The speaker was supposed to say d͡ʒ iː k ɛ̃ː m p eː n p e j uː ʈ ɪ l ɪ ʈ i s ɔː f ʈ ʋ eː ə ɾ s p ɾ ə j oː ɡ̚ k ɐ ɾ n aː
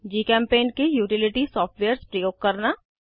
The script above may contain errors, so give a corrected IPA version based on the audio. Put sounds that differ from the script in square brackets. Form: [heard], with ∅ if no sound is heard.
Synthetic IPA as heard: d͡ʒ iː k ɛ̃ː m p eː n [k] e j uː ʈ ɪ l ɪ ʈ i s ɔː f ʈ ʋ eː ə ɾ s p ɾ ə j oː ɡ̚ k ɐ ɾ n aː